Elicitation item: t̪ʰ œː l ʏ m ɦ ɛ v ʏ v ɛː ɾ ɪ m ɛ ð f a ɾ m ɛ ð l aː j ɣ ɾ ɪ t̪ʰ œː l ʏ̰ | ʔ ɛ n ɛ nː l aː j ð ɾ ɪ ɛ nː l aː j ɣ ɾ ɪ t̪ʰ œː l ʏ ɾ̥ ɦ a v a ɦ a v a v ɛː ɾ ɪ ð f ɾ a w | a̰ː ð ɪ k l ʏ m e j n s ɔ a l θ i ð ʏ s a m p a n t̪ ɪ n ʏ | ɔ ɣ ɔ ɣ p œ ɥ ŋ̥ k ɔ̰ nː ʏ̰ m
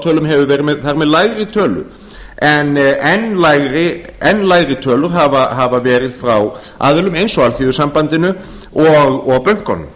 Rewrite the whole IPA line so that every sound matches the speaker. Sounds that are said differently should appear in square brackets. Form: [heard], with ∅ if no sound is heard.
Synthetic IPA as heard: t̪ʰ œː l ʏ m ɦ ɛ v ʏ v ɛː ɾ ɪ m ɛ ð [θ] a ɾ m ɛ ð l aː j ɣ ɾ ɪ t̪ʰ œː l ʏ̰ | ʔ ɛ n ɛ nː l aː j [ɣ] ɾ ɪ ɛ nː l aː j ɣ ɾ ɪ t̪ʰ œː l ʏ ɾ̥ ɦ a v a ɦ a v a v ɛː ɾ ɪ ð f ɾ a w | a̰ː ð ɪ [∅] l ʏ m e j n s ɔ a l θ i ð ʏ s a m p a n t̪ ɪ n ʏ | ɔ ɣ ɔ ɣ p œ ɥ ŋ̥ k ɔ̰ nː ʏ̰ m